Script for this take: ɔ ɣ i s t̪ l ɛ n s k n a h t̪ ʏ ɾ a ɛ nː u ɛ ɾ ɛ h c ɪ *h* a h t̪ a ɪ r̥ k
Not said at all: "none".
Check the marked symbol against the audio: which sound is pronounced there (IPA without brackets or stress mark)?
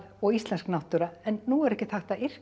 θ